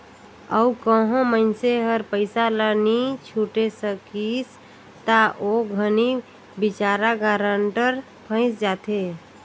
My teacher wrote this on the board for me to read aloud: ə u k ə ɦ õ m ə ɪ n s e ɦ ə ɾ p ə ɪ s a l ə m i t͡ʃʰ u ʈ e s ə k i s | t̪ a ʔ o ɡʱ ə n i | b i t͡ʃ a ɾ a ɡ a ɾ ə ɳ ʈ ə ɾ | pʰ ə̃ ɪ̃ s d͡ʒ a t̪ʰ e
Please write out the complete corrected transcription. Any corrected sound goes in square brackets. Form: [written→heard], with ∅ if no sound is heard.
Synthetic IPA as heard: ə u k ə ɦ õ m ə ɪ n s e ɦ ə ɾ p ə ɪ s a l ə [m→n] i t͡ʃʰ u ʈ e s ə k i s | t̪ a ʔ o ɡʱ ə n i | b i t͡ʃ a ɾ a ɡ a ɾ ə ɳ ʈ ə ɾ | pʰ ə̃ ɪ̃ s d͡ʒ a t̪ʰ e